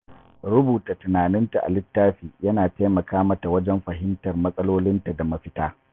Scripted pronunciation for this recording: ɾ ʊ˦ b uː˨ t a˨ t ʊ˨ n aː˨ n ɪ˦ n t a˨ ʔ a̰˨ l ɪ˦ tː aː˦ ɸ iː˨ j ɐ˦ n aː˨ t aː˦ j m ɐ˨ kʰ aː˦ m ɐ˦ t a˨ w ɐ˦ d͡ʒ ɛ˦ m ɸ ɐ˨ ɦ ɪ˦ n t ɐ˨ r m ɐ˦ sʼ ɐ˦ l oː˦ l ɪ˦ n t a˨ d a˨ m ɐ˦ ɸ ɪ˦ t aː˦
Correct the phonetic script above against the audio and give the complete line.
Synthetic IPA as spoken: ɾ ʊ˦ b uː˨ t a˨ t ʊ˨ n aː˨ n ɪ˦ n t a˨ ʔ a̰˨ l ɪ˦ tː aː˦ ɸ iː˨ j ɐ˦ n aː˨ t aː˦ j m ɐ˨ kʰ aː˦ m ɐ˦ t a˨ w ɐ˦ d͡ʒ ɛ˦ m ɸ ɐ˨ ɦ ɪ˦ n t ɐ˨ r m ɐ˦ sʼ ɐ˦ l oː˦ l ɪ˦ n t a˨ d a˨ m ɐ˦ ɸ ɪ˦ t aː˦